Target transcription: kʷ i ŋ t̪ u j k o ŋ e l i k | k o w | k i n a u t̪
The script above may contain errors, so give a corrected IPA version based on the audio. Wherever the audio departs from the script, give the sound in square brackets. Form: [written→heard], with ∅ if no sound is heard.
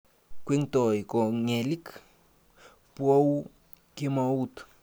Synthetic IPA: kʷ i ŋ t̪ [u→o] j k o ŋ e l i k | [k→p] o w | k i [n→m] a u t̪